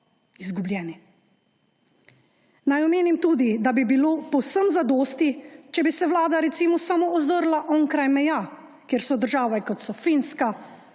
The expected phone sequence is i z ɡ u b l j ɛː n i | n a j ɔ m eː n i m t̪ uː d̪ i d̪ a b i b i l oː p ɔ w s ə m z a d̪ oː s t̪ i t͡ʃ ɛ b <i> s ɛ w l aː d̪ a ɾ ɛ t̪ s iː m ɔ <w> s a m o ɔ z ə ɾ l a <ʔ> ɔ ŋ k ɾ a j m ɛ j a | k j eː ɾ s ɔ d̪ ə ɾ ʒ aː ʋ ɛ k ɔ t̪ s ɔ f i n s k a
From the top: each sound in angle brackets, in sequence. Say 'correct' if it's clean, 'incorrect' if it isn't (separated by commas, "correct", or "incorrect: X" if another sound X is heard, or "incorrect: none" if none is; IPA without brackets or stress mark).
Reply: correct, incorrect: none, correct